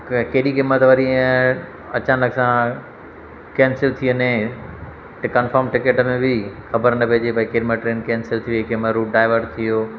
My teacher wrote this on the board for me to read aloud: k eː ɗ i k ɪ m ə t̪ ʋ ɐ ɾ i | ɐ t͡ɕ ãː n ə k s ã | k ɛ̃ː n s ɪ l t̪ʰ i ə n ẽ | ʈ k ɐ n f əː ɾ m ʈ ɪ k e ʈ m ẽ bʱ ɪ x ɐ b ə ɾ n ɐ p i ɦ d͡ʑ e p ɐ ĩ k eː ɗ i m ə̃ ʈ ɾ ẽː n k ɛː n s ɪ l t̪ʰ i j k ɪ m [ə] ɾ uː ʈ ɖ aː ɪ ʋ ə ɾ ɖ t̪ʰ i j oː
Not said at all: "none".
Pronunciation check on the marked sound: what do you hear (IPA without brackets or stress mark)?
ə